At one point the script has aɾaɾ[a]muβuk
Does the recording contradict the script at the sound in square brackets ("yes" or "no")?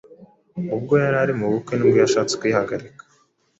yes